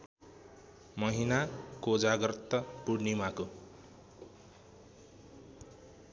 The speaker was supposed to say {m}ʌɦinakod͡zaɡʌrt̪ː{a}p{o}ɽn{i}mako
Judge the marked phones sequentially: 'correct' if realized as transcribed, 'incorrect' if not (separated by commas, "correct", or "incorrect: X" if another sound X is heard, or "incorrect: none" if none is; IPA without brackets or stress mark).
correct, incorrect: ʌ, incorrect: u, correct